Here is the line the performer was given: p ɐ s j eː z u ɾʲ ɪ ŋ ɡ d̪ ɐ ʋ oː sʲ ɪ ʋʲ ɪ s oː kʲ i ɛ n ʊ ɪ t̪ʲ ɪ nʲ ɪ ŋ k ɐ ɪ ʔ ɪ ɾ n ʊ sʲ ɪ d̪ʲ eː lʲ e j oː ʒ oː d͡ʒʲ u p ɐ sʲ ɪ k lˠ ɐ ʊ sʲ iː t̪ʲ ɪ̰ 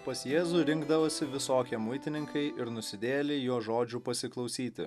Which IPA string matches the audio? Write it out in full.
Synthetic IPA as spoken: p ɐ s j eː z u ɾʲ ɪ ŋ ɡ d̪ ɐ ʋ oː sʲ ɪ ʋʲ ɪ s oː kʲ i ɛ m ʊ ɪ t̪ʲ ɪ nʲ ɪ ŋ k ɐ ɪ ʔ ɪ ɾ n ʊ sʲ ɪ d̪ʲ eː lʲ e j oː ʒ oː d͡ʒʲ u p ɐ sʲ ɪ k lˠ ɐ ʊ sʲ iː t̪ʲ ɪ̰

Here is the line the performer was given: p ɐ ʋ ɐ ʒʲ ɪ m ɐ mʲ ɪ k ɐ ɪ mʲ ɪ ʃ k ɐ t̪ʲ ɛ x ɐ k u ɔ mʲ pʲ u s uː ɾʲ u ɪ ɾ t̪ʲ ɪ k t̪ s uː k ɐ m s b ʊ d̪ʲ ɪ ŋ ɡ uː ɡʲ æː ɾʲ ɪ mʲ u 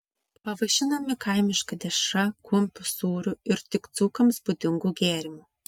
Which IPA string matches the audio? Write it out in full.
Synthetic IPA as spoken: p ɐ ʋ ɐ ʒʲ ɪ n ɐ mʲ ɪ k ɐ ɪ mʲ ɪ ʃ k ɐ d̪ʲ ɛ ʃ ɐ k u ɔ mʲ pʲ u s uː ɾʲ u ɪ ɾ t̪ʲ ɪ k t̪ s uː k ɐ m s b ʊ d̪ʲ ɪ ŋ ɡ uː ɡʲ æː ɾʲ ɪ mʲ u

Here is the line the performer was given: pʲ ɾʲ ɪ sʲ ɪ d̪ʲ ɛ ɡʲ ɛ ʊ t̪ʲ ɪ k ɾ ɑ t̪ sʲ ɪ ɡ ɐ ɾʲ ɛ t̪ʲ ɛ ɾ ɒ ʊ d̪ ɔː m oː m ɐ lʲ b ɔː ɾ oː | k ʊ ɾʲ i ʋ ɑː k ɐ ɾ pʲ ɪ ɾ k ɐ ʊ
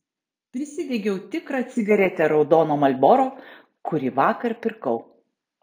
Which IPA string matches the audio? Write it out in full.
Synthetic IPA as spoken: pʲ ɾʲ ɪ sʲ ɪ d̪ʲ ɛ ɡʲ ɛ ʊ t̪ʲ ɪ k ɾ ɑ t̪ sʲ ɪ ɡ ɐ ɾʲ ɛ t̪ʲ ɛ ɾ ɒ ʊ d̪ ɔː n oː m ɐ lʲ b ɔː ɾ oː | k ʊ ɾʲ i ʋ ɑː k ɐ ɾ pʲ ɪ ɾ k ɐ ʊ

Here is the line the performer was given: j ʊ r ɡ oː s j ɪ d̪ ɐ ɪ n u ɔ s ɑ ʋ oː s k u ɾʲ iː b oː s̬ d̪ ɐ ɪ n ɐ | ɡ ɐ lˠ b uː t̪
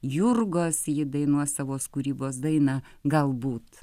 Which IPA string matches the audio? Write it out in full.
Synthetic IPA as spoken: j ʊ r ɡ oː s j ɪ d̪ ɐ ɪ n u ɔ s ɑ ʋ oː s k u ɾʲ iː b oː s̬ d̪ ɐ ɪ n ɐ | ɡ ɐ lˠ b uː t̪

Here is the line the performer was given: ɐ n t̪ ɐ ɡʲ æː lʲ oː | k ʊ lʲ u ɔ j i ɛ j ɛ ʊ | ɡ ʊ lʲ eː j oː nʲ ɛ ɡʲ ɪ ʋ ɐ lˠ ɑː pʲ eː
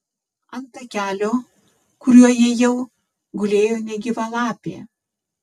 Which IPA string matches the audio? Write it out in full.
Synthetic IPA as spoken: ɐ n t̪ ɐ kʲ æː lʲ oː | k ʊ ɾʲ u ɔ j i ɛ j ɛ ʊ | ɡ ʊ lʲ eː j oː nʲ ɛ ɡʲ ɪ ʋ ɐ lˠ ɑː pʲ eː

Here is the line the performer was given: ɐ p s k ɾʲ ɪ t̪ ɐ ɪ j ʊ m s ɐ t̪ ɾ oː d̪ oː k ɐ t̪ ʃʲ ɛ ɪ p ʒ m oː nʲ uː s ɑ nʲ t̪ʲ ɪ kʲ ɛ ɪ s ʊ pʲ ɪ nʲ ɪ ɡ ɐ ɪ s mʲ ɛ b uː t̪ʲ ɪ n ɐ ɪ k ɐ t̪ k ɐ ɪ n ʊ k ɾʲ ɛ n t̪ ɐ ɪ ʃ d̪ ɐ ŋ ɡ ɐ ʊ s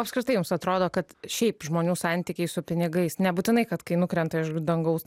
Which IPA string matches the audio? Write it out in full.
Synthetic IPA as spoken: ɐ p s k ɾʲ ɪ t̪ ɐ ɪ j ʊ m s ɐ t̪ ɾ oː d̪ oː k ɐ t̪ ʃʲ ɛ ɪ p ʒ m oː nʲ uː s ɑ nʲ t̪ʲ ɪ kʲ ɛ ɪ s ʊ pʲ ɪ nʲ ɪ ɡ ɐ ɪ s nʲ ɛ b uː t̪ʲ ɪ n ɐ ɪ k ɐ t̪ k ɐ ɪ n ʊ k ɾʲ ɛ n t̪ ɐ ɪ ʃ d̪ ɐ ŋ ɡ ɐ ʊ s

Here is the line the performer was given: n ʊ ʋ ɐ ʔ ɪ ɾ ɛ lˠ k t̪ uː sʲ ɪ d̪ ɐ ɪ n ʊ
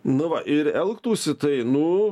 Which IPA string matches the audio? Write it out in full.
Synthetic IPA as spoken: n ʊ ʋ ɐ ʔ ɪ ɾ ɛ lˠ k t̪ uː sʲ ɪ t̪ ɐ ɪ n ʊ

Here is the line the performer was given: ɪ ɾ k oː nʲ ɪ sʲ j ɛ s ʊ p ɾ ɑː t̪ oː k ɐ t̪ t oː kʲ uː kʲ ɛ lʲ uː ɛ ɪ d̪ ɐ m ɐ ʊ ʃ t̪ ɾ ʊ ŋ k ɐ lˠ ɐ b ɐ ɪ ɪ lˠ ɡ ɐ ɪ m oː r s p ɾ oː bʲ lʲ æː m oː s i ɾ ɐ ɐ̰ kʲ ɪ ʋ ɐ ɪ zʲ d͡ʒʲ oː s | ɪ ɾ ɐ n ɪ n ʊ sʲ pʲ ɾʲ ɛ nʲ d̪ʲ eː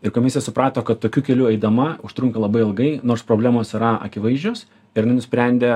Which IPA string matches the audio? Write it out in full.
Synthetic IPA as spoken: ɪ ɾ k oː mʲ ɪ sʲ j ɛ s ʊ p ɾ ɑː t̪ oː k ɐ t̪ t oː kʲ uː kʲ ɛ lʲ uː ɛ ɪ d̪ ɐ m ɐ ʊ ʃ t̪ ɾ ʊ ŋ k ɐ lˠ ɐ b ɐ ɪ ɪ lˠ ɡ ɐ ɪ n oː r s p ɾ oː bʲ lʲ æː m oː s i ɾ ɐ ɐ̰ kʲ ɪ ʋ ɐ ɪ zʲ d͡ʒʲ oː s | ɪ ɾ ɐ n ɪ n ʊ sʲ pʲ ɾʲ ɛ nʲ d̪ʲ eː

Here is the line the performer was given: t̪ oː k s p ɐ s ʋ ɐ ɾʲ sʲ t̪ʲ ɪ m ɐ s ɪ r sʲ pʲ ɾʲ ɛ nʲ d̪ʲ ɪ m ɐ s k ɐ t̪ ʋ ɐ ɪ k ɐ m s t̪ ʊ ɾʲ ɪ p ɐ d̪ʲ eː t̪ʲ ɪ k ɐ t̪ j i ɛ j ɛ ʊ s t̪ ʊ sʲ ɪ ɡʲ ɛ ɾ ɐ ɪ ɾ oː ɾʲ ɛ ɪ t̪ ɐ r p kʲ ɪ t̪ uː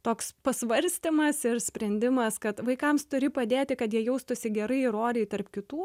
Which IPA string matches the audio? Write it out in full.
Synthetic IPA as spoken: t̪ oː k s p ɐ s ʋ ɐ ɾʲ sʲ t̪ʲ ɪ m ɐ s ɪ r sʲ pʲ ɾʲ ɛ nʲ d̪ʲ ɪ m ɐ s k ɐ t̪ ʋ ɐ ɪ k ɐ m s t̪ ʊ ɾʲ ɪ p ɐ d̪ʲ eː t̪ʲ ɪ k ɐ t̪ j i ɛ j ɛ ʊ s t̪ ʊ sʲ ɪ ɡʲ ɛ ɾ ɐ ɪ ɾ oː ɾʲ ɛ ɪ t̪ ɐ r p kʲ ɪ t̪ uː

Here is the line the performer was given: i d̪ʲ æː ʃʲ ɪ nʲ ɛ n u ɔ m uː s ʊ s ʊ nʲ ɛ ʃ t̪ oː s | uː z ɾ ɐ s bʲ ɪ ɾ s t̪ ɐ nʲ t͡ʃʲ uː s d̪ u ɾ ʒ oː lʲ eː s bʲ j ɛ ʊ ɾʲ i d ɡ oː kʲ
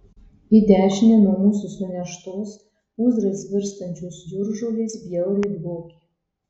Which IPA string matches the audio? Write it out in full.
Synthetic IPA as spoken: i d̪ʲ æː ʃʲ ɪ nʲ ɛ n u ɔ m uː s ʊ s ʊ nʲ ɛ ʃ t̪ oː s | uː z ɾ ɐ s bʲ ɪ ɾ s t̪ ɐ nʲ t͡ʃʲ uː s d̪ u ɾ ʒ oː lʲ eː s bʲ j ɛ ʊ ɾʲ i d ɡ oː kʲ

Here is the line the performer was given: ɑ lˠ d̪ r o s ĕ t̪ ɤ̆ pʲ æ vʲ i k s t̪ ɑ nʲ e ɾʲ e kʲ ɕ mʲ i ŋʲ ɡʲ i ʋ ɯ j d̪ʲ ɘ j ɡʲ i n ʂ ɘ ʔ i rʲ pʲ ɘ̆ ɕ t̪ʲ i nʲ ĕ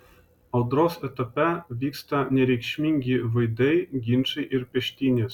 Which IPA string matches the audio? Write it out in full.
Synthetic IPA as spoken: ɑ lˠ d̪ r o s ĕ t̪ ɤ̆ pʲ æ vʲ i k s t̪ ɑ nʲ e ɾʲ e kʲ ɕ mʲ i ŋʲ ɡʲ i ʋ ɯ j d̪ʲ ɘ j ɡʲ i n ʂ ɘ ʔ i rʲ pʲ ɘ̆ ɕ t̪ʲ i nʲ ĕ

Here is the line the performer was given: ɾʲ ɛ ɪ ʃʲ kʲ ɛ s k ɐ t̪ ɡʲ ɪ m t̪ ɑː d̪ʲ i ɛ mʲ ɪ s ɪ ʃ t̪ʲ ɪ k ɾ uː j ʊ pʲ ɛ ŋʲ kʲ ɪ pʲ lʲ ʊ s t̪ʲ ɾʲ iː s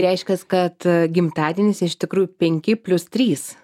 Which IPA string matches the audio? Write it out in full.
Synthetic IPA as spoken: ɾʲ ɛ ɪ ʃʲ kʲ ɛ s k ɐ t̪ ɡʲ ɪ m t̪ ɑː d̪ʲ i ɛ nʲ ɪ s ɪ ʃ t̪ʲ ɪ k ɾ uː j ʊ pʲ ɛ ŋʲ kʲ ɪ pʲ lʲ ʊ s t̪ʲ ɾʲ iː s

